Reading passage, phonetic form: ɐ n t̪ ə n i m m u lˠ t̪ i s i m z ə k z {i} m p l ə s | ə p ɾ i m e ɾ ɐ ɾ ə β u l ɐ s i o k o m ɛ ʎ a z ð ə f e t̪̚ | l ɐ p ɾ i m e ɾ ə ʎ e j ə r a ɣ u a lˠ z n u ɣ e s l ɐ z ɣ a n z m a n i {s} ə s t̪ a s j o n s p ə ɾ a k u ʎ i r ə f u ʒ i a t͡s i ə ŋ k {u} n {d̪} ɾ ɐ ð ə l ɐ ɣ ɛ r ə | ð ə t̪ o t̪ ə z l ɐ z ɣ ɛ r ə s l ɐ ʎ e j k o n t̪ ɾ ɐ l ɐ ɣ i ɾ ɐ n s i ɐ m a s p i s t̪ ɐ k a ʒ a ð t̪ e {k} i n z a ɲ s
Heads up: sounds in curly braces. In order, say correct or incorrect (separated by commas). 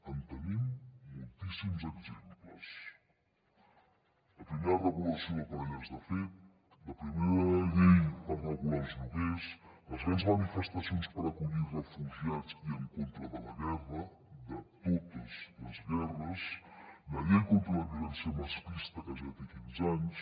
incorrect, incorrect, incorrect, incorrect, correct